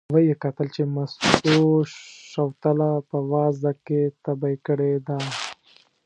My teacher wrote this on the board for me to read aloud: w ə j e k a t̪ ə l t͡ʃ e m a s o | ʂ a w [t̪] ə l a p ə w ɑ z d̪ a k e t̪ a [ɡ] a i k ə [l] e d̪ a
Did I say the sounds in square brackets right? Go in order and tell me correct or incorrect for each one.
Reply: correct, incorrect, incorrect

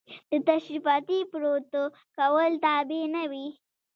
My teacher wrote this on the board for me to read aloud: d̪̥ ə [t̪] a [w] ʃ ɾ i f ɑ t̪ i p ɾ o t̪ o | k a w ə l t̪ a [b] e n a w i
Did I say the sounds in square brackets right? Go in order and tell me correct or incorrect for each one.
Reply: correct, incorrect, correct

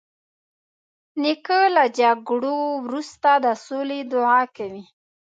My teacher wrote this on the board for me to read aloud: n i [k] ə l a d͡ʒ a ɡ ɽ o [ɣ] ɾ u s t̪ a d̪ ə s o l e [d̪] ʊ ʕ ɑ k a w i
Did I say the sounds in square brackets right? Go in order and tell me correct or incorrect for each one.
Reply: correct, incorrect, correct

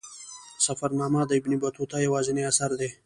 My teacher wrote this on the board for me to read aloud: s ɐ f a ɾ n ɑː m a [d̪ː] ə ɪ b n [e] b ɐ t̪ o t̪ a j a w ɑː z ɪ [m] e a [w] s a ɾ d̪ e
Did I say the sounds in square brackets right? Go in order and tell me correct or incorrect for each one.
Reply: incorrect, incorrect, incorrect, incorrect

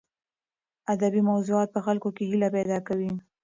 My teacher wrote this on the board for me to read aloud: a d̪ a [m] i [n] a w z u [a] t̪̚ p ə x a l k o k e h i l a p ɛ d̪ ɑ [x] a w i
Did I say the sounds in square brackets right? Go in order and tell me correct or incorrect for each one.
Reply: incorrect, incorrect, incorrect, incorrect

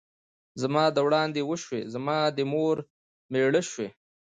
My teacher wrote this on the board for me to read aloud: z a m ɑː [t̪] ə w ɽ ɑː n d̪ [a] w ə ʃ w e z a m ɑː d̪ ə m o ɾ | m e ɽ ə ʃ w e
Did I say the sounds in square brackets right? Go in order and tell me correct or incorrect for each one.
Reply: incorrect, incorrect

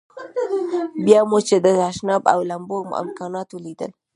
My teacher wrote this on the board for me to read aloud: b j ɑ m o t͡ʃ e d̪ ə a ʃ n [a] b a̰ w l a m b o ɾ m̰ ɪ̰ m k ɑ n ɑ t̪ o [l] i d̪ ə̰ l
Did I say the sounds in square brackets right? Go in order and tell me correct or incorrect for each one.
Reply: incorrect, correct

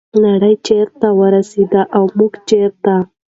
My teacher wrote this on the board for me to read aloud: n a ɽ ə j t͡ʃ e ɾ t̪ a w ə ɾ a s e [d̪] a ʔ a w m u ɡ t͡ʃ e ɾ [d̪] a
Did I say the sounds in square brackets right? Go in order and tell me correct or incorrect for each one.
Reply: correct, incorrect

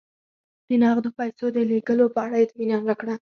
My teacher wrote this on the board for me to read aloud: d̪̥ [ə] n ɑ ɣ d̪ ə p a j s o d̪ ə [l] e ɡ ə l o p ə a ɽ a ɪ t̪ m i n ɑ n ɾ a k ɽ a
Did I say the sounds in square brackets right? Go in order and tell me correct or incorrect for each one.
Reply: correct, correct

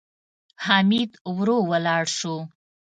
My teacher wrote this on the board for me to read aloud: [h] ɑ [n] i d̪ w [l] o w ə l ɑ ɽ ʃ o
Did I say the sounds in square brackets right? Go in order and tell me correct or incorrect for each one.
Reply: correct, incorrect, incorrect

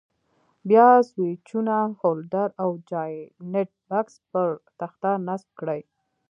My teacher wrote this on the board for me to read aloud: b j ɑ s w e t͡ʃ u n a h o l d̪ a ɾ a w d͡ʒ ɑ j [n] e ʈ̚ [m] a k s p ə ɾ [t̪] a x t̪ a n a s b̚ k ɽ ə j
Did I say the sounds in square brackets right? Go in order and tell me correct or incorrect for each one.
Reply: correct, incorrect, correct

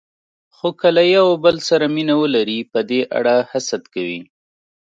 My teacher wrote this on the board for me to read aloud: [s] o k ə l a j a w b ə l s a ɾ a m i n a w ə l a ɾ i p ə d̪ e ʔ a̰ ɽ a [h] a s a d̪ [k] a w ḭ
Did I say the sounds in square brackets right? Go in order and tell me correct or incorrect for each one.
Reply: incorrect, correct, correct

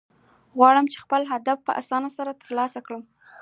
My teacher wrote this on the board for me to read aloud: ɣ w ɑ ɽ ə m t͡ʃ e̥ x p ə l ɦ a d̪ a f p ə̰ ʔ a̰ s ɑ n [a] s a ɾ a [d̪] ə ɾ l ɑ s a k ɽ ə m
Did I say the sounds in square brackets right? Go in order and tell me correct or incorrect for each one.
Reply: correct, incorrect

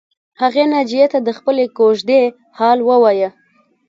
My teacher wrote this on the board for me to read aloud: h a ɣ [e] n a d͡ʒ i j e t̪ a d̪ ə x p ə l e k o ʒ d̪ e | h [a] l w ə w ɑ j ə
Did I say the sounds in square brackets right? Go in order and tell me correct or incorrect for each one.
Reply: correct, incorrect

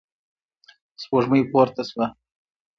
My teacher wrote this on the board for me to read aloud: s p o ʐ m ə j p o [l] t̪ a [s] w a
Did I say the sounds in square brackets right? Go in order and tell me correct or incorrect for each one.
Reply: incorrect, correct

